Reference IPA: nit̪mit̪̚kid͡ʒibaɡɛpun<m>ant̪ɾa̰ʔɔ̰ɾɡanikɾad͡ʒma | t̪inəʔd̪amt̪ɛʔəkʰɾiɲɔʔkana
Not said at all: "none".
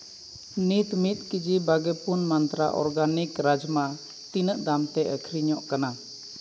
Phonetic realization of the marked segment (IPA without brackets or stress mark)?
m